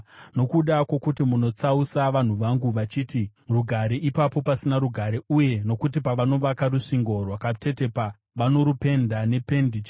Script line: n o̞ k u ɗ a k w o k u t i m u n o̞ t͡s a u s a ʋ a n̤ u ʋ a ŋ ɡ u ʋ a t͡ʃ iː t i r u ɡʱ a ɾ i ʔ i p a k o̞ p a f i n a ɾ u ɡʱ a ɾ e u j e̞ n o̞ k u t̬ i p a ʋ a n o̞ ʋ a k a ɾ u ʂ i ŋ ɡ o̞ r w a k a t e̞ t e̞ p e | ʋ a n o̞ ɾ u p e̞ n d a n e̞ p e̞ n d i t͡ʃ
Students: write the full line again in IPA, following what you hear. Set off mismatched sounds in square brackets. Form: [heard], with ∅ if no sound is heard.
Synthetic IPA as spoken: n o̞ k u ɗ a k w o k u t i m u n o̞ t͡s a u s a ʋ a n̤ u ʋ a ŋ ɡ u ʋ a t͡ʃ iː t i r u ɡʱ a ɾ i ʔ i p a [p] o̞ p a [s] i n a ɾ u ɡʱ a ɾ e u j e̞ n o̞ k u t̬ i p a ʋ a n o̞ ʋ a k a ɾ u ʂ i ŋ ɡ o̞ r w a k a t e̞ t e̞ p [a] | ʋ a n o̞ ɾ u p e̞ n d a n e̞ p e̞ n d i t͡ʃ

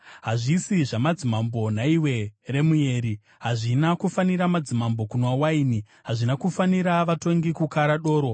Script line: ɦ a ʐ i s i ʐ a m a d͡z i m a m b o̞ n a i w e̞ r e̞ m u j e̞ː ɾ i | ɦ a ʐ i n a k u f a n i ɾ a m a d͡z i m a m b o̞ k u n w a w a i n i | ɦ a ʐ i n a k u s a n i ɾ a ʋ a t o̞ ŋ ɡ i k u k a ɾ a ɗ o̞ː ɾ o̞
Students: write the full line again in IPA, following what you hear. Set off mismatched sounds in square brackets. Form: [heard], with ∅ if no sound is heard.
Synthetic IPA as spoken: ɦ a ʐ i s i ʐ a m a d͡z i m a m b o̞ n a i w e̞ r e̞ m u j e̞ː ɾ i | ɦ a ʐ i n a k u f a n i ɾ a m a d͡z i m a m b o̞ k u n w a w a i n i | ɦ a ʐ i n a k u [f] a n i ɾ a ʋ a t o̞ ŋ ɡ i k u k a ɾ a ɗ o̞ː ɾ o̞

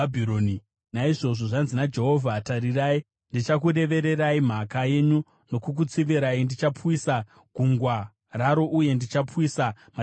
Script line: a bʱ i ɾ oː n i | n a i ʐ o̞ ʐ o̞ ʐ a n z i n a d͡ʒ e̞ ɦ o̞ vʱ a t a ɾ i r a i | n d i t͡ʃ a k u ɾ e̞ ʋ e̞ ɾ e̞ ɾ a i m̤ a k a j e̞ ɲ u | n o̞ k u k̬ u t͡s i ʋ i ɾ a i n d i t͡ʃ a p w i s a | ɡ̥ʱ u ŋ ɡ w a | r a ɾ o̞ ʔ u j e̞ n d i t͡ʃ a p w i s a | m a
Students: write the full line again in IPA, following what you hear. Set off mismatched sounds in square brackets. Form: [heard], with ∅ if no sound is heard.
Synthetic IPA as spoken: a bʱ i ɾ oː n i | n a i ʐ o̞ ʐ o̞ ʐ a n z i n a d͡ʒ e̞ ɦ o̞ vʱ a t a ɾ i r a i | n d i t͡ʃ a k u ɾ e̞ ʋ e̞ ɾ e̞ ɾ a i m̤ a k a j e̞ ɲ u | n o̞ k u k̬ u t͡s i ʋ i ɾ a i n d i t͡ʃ a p w i s a | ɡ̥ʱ u ŋ ɡ w a | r a ɾ o̞ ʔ u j e̞ n d i t͡ʃ a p w i s a | m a

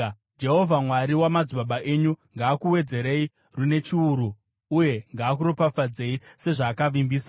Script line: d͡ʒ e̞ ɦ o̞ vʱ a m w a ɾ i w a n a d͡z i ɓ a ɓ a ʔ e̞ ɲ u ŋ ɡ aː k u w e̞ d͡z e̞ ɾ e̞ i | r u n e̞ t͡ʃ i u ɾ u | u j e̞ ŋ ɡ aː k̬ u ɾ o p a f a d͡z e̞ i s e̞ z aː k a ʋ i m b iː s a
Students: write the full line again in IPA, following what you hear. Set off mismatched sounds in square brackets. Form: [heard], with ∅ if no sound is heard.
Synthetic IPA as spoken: d͡ʒ e̞ ɦ o̞ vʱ a m w a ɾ i w a [m] a d͡z i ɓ a ɓ a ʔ e̞ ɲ u ŋ ɡ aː k u w e̞ d͡z e̞ ɾ e̞ i | r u n e̞ t͡ʃ i u ɾ u | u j e̞ ŋ ɡ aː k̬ u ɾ o p a f a d͡z e̞ i s e̞ [ʐ] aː k a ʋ i m b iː s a

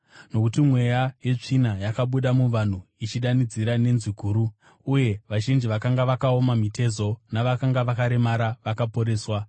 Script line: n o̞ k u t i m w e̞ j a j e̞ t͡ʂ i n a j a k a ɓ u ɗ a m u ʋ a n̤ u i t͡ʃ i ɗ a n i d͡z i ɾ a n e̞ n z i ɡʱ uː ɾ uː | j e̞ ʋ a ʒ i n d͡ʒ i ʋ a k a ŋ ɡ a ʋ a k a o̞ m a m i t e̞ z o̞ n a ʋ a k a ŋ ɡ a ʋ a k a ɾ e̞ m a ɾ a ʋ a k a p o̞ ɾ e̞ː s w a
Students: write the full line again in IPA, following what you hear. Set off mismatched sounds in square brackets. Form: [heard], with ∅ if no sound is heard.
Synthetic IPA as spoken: n o̞ k u t i m w e̞ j a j e̞ t͡ʂ i n a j a k a ɓ u ɗ a m u ʋ a n̤ u i t͡ʃ i ɗ a n i d͡z i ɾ a n e̞ n z i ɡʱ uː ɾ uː | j e̞ ʋ a ʒ i n d͡ʒ i ʋ a k a ŋ ɡ a ʋ a k a o̞ m a m i t e̞ z o̞ n a ʋ a k a ŋ ɡ a ʋ a k a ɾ e̞ m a ɾ a ʋ a k a p o̞ ɾ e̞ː s w a

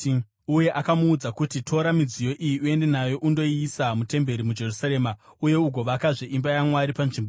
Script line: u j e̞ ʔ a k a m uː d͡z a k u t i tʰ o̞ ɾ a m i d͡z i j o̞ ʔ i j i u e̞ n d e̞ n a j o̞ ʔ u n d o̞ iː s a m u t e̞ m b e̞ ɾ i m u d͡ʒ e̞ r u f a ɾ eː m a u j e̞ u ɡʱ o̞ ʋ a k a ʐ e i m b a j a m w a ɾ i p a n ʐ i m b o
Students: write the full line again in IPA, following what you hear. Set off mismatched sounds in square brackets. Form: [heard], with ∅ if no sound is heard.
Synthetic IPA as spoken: u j e̞ ʔ a k a m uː d͡z a k u t i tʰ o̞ ɾ a m i d͡z i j o̞ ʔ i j i u e̞ n d e̞ n a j o̞ ʔ u n d o̞ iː s a m u t e̞ m b e̞ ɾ i m u d͡ʒ e̞ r u [s] a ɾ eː m a u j e̞ u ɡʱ o̞ ʋ a k a ʐ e i m b a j a m w a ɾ i p a n ʐ i m b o

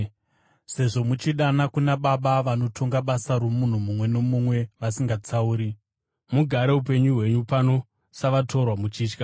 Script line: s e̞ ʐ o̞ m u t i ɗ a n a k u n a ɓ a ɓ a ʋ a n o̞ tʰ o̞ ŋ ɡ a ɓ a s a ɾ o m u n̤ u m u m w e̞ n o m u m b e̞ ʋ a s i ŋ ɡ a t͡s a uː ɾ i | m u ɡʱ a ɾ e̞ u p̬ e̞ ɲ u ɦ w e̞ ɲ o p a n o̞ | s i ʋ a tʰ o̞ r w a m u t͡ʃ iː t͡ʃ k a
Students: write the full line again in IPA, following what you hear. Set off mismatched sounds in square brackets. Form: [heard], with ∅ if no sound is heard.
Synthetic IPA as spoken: s e̞ ʐ o̞ m u [t͡ʃ] i ɗ a n a k u n a ɓ a ɓ a ʋ a n o̞ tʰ o̞ ŋ ɡ a ɓ a s a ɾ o m u n̤ u m u m w e̞ n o m u m [w] e̞ ʋ a s i ŋ ɡ a t͡s a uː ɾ i | m u ɡʱ a ɾ e̞ u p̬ e̞ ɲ u ɦ w e̞ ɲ [u] p a n o̞ | s [a] ʋ a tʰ o̞ r w a m u t͡ʃ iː t͡ʃ k a

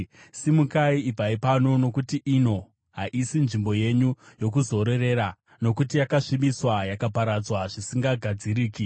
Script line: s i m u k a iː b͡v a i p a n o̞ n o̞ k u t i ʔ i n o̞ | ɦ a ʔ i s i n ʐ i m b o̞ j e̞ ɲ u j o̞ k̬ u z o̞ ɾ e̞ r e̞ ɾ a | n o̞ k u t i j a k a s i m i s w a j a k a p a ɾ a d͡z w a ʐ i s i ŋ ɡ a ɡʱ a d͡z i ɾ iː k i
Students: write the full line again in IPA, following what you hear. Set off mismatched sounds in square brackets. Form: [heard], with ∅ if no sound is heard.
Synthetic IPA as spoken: s i m u k a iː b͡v a i p a n o̞ n o̞ k u t i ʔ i n o̞ | ɦ a ʔ i s i n ʐ i m b o̞ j e̞ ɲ u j o̞ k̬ u z o̞ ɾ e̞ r e̞ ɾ a | n o̞ k u t i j a k a [ʂ] i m i s w a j a k a p a ɾ a d͡z w a ʐ i s i ŋ ɡ a ɡʱ a d͡z i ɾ iː k i

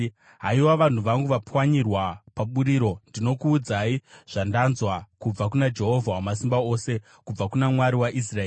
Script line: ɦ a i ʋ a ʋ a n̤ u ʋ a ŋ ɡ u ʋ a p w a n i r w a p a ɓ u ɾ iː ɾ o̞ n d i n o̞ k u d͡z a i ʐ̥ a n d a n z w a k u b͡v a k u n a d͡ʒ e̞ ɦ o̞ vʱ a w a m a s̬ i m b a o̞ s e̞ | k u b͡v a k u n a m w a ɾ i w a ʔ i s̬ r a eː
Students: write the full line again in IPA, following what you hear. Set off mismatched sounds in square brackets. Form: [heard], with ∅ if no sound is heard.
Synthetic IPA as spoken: ɦ a i [w] a ʋ a n̤ u ʋ a ŋ ɡ u ʋ a p w a [ɲ] i r w a p a ɓ u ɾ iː ɾ o̞ n d i n o̞ k [uː] d͡z a i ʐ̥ a n d a n z w a k u b͡v a k u n a d͡ʒ e̞ ɦ o̞ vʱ a w a m a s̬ i m b a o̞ s e̞ | k u b͡v a k u n a m w a ɾ i w a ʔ i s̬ r a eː

